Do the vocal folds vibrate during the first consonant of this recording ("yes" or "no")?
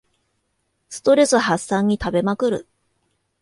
no